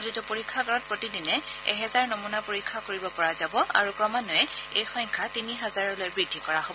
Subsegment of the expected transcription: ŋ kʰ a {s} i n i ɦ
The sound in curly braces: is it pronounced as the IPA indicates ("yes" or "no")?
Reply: no